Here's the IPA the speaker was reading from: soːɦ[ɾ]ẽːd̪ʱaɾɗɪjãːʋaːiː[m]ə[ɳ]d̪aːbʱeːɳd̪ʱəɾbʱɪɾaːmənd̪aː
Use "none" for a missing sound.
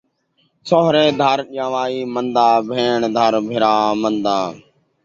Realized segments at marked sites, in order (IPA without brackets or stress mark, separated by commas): ɾ, m, n